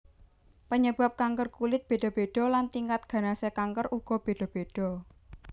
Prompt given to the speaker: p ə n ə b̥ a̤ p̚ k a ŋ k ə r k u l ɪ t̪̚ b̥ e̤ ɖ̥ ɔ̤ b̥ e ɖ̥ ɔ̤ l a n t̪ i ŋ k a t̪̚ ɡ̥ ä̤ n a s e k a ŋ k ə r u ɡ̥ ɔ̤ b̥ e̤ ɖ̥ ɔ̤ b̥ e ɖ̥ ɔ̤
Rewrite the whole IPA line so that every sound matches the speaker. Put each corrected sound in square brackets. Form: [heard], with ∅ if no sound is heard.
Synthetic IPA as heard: p ə [ɲ] ə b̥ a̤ p̚ k a ŋ k ə r k u l ɪ t̪̚ b̥ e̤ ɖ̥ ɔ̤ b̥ e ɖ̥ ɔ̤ l a n t̪ i ŋ k a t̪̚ ɡ̥ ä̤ n a s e k a ŋ k ə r u ɡ̥ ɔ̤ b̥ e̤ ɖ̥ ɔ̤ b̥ e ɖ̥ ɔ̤

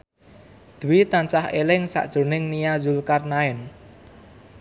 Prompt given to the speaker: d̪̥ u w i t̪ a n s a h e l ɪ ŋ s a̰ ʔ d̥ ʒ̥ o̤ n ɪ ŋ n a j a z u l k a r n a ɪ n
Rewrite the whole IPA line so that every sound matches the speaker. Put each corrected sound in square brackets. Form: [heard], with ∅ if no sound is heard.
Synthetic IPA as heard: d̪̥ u w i t̪ a n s a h e l ɪ ŋ s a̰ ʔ d̥ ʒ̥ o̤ n ɪ ŋ n [i] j a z u l k a r n a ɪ n

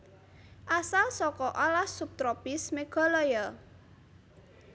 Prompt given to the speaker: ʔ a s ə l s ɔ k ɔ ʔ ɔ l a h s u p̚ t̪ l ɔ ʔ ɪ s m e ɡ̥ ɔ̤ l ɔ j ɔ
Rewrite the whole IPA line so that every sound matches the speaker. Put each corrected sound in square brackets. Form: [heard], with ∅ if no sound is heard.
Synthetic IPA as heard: ʔ a s [a] l s ɔ k ɔ ʔ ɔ l a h s u p̚ t̪ [ɾ] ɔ [p] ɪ s m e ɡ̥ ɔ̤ l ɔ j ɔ

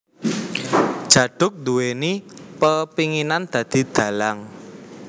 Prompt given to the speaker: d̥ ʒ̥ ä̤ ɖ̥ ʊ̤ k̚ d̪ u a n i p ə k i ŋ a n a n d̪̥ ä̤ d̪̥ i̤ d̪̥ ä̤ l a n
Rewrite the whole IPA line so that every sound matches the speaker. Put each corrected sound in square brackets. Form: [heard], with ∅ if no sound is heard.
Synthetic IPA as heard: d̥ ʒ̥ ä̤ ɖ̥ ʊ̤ k̚ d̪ u [e] n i p ə [p] i ŋ [i] n a n d̪̥ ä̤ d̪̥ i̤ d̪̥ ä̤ l a [ŋ]

